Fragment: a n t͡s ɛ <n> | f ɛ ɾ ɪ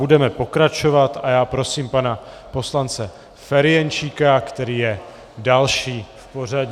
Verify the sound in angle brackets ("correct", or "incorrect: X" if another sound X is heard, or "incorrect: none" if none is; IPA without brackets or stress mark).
incorrect: none